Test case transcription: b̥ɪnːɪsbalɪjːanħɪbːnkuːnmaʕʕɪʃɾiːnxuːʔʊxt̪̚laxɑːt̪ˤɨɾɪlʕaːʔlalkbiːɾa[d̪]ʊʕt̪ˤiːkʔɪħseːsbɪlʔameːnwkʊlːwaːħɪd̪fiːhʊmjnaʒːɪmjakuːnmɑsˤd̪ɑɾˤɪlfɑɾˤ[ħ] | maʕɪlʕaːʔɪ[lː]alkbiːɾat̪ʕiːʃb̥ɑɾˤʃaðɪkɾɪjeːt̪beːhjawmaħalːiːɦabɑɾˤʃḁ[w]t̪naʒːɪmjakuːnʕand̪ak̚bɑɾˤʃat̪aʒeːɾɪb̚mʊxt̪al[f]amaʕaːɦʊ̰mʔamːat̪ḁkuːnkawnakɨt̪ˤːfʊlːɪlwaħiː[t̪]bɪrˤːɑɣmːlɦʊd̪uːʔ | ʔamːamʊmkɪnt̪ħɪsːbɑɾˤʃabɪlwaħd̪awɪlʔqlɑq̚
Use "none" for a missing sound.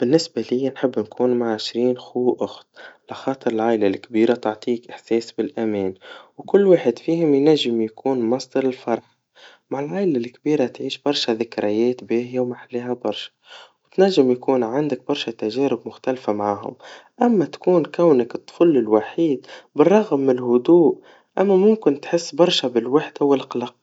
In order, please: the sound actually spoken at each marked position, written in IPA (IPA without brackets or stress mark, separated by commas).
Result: t̪, ħ, l, w, f, d̪